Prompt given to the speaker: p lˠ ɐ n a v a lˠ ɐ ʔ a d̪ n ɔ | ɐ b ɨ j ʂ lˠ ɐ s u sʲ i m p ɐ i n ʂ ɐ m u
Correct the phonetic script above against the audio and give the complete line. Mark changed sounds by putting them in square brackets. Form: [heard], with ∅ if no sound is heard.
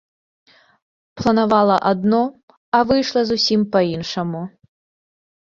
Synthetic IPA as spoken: p lˠ ɐ n a v a lˠ ɐ ʔ a d̪ n ɔ | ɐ [v] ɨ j ʂ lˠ ɐ [z] u sʲ i m p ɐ i n ʂ ɐ m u